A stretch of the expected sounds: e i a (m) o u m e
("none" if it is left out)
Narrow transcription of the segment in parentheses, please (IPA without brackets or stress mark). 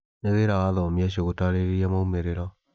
m